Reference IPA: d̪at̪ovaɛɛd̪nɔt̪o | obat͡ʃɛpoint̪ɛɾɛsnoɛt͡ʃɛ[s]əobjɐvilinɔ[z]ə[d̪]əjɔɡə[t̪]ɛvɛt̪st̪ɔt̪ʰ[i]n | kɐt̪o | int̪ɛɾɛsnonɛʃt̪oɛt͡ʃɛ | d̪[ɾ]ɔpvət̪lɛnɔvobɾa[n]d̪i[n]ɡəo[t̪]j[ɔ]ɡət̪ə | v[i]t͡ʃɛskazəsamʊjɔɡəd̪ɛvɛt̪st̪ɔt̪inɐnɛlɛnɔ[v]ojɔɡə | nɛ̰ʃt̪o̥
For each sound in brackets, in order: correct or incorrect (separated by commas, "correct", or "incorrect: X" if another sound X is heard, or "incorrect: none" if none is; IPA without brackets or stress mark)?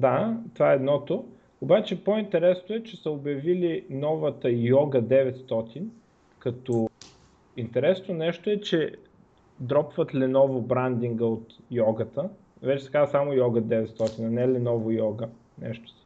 correct, incorrect: v, incorrect: t̪, incorrect: d̪, correct, correct, correct, incorrect: ŋ, correct, correct, incorrect: ɛ, correct